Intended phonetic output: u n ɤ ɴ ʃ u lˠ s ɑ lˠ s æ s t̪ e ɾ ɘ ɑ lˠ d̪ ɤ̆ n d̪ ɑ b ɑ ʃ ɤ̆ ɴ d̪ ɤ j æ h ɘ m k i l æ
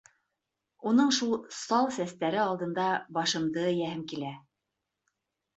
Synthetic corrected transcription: u n ɤ ɴ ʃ u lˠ s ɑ lˠ s æ s t̪ æ ɾ ɘ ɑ lˠ d̪ ɤ̆ n d̪ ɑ b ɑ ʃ ɤ̆ m d̪ ɤ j æ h ɘ m k i l æ